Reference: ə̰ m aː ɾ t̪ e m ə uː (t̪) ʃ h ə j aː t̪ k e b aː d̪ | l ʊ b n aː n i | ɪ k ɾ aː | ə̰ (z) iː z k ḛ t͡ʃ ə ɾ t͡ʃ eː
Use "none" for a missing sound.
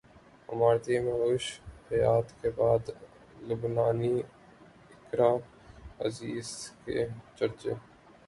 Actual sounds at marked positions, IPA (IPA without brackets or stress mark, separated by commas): none, z